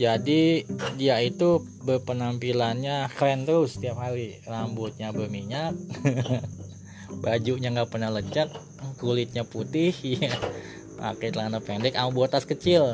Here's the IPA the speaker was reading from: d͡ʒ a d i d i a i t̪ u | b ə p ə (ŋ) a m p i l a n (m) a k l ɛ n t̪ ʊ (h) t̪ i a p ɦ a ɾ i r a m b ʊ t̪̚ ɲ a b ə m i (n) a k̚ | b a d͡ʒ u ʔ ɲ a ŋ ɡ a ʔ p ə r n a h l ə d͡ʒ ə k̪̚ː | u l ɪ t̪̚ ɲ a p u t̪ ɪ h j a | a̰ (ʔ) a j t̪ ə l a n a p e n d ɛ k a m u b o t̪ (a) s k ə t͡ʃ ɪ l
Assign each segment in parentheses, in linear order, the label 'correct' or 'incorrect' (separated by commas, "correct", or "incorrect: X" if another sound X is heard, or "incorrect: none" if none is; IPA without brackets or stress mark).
incorrect: n, incorrect: ɲ, incorrect: s, incorrect: ɲ, incorrect: k, correct